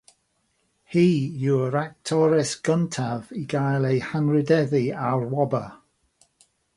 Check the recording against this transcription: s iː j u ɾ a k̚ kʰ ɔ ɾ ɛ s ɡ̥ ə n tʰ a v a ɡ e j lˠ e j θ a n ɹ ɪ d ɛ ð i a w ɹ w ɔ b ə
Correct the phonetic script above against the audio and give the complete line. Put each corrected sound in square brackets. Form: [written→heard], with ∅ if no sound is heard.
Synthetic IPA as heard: [s→h] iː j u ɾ a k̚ [kʰ→tʰ] ɔ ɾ ɛ s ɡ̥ ə n tʰ a v [a→i] ɡ [e→a] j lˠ e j [θ→h] a n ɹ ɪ d ɛ ð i a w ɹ w ɔ b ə